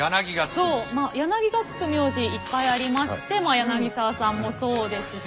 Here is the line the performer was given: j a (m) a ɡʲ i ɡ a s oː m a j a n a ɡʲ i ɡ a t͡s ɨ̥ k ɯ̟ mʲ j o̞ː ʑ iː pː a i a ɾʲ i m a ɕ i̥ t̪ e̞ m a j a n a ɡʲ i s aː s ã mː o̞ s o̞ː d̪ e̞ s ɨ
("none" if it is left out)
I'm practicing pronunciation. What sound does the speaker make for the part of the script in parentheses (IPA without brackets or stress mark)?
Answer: n